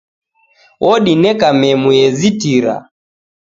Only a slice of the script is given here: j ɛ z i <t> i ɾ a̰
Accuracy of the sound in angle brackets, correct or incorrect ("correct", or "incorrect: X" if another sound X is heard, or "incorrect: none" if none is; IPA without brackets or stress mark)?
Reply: correct